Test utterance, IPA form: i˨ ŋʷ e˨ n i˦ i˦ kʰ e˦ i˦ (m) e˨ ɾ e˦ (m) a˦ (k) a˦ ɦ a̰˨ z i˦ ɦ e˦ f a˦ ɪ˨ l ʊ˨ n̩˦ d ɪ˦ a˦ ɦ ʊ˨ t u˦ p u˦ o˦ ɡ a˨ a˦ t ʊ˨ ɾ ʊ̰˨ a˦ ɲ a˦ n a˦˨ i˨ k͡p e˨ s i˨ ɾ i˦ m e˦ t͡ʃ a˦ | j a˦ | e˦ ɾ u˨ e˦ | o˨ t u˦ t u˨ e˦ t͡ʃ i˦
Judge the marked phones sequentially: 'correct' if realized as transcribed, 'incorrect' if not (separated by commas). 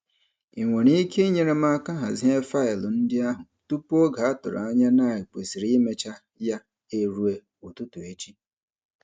incorrect, correct, correct